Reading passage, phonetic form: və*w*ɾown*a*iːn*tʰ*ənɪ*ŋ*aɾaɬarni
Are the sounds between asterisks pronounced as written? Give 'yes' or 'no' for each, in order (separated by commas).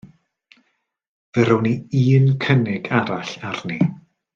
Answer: no, no, no, no